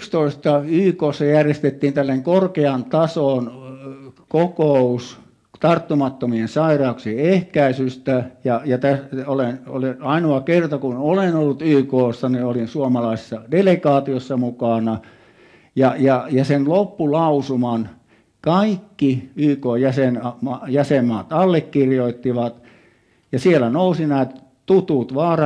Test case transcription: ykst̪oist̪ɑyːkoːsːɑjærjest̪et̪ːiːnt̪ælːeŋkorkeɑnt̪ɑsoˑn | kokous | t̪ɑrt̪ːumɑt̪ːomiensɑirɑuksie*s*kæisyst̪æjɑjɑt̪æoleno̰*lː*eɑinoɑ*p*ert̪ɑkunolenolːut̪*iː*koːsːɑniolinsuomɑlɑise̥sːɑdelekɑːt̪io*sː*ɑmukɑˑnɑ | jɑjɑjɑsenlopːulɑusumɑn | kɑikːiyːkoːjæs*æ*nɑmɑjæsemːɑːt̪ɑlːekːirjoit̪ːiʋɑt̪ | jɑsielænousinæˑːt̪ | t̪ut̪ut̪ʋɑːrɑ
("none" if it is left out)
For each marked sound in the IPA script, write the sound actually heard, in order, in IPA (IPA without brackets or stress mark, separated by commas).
h, l, k, yː, sː, e